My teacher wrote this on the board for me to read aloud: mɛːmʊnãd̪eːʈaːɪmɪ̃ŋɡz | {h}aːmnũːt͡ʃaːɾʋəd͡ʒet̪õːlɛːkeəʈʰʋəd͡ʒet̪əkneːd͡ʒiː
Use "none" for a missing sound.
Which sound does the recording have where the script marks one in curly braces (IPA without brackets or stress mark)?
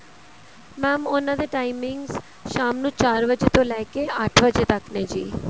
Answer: ʃ